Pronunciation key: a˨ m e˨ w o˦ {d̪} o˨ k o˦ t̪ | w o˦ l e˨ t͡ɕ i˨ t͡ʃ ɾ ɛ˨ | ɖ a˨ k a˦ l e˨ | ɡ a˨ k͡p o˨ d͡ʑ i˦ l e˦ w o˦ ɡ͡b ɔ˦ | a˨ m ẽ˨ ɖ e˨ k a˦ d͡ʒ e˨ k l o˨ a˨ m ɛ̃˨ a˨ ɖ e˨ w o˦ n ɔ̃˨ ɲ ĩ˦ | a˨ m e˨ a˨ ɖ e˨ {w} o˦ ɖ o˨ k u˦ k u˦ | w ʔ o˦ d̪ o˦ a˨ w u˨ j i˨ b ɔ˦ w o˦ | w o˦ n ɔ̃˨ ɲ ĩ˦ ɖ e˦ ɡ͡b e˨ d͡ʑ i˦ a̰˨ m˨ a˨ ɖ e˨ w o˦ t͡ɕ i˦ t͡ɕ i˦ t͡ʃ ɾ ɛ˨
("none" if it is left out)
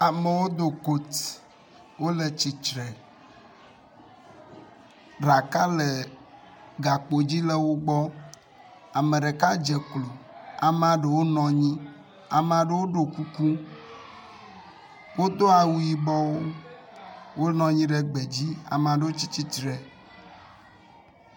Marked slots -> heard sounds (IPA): d̪, w

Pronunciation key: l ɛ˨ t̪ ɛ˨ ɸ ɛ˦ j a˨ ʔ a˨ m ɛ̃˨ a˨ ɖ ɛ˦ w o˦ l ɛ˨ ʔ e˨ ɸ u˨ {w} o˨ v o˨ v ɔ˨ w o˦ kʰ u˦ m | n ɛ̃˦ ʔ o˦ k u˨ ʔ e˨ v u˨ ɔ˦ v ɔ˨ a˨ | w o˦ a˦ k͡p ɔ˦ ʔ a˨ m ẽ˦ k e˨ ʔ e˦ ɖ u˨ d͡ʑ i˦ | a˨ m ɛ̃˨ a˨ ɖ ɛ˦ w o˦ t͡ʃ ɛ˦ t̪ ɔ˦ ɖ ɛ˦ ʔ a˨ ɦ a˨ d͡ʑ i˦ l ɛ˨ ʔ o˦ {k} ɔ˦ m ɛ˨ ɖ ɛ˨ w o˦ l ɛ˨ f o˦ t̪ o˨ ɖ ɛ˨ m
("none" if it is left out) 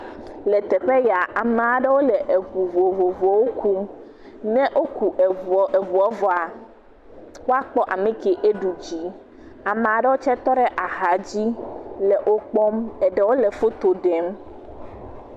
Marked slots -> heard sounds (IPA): v, k͡p

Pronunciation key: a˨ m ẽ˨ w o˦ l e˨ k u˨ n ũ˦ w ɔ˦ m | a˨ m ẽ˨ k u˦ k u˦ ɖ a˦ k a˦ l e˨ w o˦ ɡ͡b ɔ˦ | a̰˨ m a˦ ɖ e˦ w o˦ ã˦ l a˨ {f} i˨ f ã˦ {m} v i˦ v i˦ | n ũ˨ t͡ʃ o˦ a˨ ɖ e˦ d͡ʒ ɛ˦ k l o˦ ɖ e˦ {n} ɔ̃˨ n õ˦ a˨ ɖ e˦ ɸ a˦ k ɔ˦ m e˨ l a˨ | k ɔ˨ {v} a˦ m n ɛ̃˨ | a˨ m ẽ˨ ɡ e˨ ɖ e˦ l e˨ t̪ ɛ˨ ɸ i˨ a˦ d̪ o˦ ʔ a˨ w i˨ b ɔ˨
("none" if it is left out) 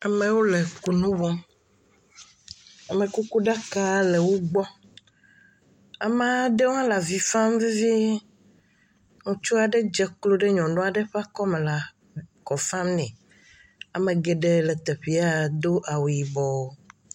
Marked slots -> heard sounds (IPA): v, m, ɲ, f

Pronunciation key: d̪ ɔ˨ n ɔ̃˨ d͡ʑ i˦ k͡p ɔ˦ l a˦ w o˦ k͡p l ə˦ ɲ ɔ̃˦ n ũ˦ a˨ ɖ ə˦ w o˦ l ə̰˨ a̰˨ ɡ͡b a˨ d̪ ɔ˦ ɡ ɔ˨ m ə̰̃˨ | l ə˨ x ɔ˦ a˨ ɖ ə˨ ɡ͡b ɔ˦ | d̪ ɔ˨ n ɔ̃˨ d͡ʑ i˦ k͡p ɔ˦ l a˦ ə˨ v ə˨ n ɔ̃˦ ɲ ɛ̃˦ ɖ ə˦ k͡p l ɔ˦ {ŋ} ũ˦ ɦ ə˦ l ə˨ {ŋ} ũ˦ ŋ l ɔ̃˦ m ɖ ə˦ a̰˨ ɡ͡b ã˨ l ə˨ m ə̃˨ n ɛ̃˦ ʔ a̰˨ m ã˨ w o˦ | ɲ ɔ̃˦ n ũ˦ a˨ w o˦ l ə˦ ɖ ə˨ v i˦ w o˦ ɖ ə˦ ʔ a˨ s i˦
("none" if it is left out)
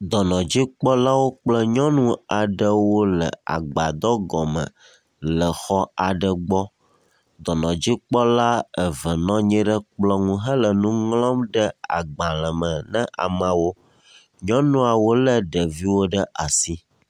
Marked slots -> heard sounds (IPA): ŋ, n

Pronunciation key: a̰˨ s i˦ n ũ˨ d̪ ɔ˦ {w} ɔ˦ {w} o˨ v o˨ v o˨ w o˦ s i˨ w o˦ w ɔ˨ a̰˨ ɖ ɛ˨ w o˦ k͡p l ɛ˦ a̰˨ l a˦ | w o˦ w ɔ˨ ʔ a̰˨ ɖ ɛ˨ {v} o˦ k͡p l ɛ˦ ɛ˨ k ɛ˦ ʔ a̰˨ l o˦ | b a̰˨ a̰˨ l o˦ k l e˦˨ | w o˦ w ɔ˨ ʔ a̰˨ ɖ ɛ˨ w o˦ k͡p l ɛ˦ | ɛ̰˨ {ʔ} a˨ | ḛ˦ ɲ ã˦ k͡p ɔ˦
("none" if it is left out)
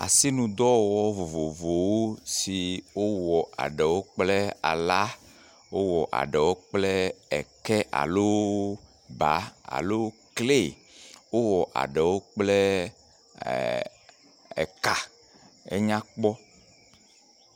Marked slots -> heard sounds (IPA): w, v, w, k

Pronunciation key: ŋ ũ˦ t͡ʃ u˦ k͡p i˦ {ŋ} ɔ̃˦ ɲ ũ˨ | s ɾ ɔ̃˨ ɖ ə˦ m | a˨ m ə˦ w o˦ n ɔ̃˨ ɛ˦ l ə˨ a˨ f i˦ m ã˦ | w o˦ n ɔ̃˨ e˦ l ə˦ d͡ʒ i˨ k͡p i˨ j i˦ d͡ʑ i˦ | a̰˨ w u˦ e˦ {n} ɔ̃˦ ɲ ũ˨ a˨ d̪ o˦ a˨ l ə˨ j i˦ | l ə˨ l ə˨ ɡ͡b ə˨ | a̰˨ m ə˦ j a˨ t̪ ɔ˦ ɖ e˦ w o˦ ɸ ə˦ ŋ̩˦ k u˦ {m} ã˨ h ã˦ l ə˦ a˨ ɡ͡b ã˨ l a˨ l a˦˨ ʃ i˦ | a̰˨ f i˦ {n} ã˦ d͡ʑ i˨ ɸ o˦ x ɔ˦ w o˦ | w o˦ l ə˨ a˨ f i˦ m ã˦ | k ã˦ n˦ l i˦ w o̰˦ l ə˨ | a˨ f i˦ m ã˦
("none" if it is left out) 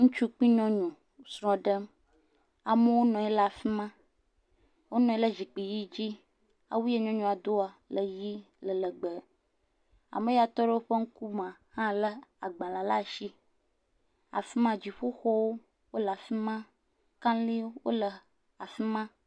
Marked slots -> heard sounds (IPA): ɲ, ɲ, m, m

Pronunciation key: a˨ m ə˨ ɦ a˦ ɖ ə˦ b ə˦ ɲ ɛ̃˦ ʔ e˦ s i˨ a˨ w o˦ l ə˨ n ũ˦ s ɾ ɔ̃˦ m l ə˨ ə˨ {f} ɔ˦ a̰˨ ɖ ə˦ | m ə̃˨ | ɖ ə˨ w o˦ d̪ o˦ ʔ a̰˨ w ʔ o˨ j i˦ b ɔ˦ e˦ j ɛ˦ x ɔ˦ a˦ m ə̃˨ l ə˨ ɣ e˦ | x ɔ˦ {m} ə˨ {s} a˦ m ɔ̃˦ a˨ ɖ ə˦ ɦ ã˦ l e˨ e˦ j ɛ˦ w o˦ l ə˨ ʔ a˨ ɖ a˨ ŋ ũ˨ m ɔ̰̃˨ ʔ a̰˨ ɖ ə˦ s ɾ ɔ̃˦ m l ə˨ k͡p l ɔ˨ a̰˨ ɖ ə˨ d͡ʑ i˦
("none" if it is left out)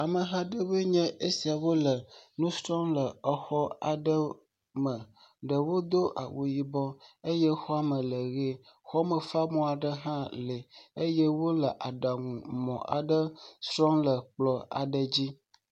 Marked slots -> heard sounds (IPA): x, m, f

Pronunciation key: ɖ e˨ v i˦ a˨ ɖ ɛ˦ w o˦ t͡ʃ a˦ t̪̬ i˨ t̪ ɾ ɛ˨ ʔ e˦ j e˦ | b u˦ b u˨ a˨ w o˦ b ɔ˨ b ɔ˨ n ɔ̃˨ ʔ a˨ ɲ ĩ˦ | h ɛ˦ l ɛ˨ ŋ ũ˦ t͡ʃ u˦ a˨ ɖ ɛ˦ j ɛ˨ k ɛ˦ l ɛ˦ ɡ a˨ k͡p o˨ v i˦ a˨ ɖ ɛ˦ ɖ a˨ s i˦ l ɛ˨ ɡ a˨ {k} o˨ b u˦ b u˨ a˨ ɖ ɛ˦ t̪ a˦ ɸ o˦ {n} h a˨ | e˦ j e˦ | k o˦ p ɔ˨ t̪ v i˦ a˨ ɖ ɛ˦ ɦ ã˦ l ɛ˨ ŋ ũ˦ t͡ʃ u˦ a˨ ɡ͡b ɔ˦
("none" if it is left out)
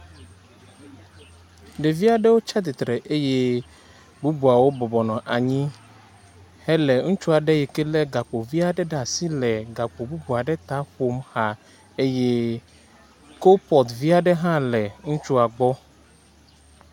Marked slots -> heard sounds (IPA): k͡p, m

